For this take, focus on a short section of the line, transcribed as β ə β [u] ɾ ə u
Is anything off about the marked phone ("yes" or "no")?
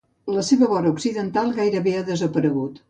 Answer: yes